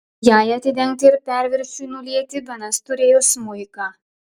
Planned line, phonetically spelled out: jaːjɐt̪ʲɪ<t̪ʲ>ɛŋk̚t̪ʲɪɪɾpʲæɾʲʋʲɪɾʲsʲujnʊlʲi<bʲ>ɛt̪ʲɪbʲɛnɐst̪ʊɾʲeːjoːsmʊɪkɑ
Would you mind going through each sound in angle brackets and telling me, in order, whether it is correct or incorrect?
incorrect: d̪ʲ, incorrect: none

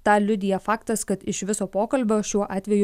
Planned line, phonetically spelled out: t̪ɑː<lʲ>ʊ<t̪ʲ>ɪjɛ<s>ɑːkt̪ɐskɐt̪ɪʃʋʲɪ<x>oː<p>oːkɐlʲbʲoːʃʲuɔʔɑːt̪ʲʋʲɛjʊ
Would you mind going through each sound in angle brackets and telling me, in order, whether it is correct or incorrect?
correct, incorrect: d̪ʲ, incorrect: f, incorrect: s, correct

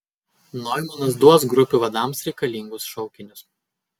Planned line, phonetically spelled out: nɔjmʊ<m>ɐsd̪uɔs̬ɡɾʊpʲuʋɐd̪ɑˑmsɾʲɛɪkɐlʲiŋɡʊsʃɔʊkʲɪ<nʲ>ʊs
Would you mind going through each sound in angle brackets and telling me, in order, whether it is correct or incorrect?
incorrect: n, correct

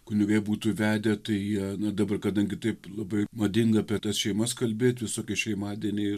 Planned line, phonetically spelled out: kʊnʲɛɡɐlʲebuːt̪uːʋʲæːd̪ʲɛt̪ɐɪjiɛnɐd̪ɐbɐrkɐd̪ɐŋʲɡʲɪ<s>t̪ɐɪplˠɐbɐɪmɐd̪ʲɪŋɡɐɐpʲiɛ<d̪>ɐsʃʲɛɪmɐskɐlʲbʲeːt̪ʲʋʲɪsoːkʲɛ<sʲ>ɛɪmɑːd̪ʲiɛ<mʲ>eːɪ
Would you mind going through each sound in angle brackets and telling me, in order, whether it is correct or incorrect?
incorrect: none, incorrect: t̪, incorrect: ʃʲ, incorrect: nʲ

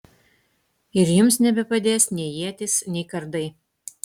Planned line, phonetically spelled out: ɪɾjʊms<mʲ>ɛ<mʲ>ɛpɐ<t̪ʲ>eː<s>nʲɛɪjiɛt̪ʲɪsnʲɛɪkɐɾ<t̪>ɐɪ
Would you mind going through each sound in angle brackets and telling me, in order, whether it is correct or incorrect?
incorrect: nʲ, incorrect: bʲ, incorrect: d̪ʲ, correct, incorrect: d̪

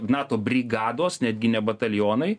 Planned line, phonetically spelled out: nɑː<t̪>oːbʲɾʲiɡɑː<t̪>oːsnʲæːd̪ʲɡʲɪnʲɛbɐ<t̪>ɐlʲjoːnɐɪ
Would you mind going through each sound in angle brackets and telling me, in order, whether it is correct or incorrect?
correct, incorrect: d̪, correct

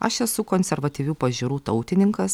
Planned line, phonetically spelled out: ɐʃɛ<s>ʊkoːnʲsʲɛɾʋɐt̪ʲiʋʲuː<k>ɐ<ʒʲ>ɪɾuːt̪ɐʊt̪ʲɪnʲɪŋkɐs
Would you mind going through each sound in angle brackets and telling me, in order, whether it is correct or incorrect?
correct, incorrect: p, correct

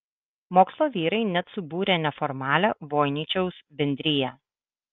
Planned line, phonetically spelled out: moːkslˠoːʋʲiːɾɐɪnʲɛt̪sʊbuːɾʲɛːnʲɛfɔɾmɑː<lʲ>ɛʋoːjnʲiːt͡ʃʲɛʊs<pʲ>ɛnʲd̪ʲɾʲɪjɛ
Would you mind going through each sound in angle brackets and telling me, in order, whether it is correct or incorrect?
correct, incorrect: bʲ

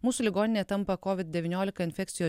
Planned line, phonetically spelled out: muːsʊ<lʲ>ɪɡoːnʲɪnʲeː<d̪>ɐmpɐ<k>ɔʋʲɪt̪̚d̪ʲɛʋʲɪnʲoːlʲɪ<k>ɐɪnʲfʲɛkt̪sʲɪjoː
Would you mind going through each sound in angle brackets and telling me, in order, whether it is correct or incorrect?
correct, incorrect: t̪, correct, correct

